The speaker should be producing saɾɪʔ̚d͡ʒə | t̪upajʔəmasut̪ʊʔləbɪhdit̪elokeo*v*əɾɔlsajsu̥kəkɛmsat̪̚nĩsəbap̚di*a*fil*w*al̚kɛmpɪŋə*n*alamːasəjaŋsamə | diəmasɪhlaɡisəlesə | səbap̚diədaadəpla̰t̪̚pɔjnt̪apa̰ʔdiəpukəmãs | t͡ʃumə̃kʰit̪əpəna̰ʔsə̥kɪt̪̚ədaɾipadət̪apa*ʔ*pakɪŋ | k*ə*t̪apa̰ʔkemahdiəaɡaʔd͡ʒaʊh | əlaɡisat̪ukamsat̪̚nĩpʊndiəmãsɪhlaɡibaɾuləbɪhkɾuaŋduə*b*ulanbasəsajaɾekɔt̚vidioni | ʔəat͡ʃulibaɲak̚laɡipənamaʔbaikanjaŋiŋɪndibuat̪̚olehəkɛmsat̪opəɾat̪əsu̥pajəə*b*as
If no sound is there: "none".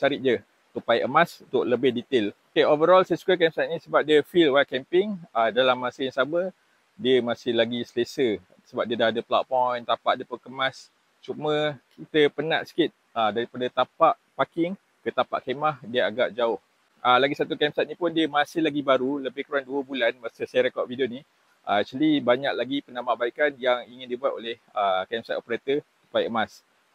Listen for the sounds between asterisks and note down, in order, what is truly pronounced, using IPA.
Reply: v, ə, w, d, ʔ, ə, b, m

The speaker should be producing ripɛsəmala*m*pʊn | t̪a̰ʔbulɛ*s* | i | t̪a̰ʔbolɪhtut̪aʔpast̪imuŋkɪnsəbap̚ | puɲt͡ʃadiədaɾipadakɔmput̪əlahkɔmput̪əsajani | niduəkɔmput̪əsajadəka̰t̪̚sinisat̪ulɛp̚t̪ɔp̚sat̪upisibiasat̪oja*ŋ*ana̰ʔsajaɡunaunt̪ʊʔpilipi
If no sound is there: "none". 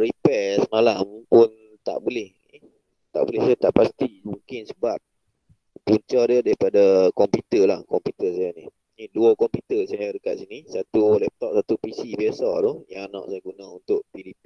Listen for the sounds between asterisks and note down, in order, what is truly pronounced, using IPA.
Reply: m, h, ŋ

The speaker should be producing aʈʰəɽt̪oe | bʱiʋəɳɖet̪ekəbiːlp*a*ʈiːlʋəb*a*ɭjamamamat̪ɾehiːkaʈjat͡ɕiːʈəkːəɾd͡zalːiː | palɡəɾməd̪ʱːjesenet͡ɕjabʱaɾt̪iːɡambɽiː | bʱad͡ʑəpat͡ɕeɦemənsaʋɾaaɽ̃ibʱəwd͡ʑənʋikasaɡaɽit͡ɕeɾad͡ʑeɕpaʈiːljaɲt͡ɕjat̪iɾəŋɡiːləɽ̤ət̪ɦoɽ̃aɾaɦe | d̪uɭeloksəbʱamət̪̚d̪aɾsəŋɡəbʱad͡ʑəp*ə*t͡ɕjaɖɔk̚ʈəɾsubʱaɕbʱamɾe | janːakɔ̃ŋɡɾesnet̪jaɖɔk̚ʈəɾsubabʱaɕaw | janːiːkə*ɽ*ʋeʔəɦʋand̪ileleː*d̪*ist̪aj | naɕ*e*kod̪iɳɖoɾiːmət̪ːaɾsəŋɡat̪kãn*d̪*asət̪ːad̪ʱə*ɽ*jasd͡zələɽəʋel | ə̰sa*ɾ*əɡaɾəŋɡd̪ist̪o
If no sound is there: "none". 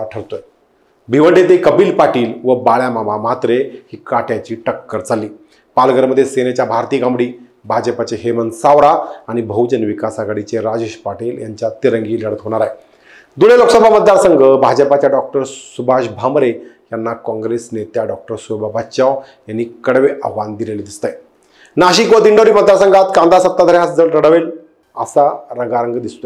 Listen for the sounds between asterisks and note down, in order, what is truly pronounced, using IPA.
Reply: a, a, a, ɽ, d̪, i, d̪, ɾ, ɾ

